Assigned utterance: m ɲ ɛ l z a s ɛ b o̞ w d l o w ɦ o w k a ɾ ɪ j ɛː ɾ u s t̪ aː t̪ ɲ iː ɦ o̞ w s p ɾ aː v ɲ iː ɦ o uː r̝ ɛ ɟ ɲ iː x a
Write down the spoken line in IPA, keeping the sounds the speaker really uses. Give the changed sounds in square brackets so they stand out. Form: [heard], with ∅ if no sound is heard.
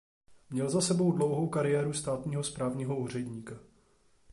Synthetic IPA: m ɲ ɛ l z a s ɛ b o̞ w d l o w ɦ o w k a ɾ ɪ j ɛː ɾ u s t̪ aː t̪ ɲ iː ɦ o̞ [∅] s p ɾ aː v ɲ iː ɦ o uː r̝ ɛ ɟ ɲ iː [k] a